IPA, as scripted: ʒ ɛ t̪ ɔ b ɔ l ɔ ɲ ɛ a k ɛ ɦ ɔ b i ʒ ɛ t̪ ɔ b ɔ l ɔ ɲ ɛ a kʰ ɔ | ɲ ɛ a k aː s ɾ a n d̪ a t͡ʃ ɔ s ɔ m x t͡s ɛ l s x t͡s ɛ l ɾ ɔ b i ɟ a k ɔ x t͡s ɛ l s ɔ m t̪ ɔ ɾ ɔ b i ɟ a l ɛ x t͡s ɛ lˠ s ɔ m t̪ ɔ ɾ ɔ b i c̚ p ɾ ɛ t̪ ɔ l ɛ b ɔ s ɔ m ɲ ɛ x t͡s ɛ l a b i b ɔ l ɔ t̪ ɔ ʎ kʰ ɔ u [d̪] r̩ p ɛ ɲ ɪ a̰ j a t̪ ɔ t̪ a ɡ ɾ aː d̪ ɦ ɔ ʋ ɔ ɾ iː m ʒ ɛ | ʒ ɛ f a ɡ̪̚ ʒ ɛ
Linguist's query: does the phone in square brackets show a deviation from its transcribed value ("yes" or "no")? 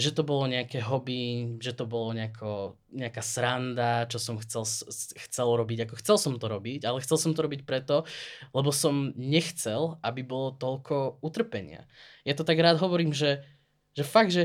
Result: yes